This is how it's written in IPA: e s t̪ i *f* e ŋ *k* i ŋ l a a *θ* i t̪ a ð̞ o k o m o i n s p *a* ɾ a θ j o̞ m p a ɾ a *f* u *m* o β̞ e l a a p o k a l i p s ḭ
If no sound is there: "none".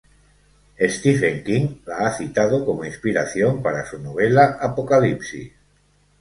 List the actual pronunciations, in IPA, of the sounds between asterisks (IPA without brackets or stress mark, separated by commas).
f, k, θ, i, s, n